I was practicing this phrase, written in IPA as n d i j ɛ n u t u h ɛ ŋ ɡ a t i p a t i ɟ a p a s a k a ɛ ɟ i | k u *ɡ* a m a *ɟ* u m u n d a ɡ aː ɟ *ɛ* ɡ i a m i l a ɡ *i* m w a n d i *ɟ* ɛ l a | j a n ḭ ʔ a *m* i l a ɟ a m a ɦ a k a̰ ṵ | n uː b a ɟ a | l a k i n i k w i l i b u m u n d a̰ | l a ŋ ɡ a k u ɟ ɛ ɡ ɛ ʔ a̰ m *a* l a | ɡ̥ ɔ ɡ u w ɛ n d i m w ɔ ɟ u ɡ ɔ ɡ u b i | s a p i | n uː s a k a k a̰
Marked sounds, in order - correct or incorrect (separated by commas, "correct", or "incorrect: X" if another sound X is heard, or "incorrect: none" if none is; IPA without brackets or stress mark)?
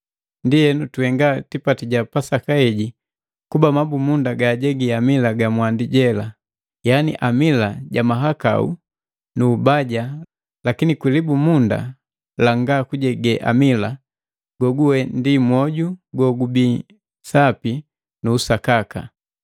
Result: incorrect: b, incorrect: b, correct, incorrect: a, correct, correct, incorrect: i